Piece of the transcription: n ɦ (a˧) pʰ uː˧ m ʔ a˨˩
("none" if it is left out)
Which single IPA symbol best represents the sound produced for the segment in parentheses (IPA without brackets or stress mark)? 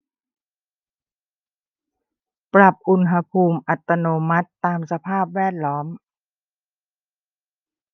a˧